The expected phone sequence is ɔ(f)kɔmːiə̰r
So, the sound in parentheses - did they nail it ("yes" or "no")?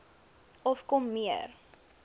yes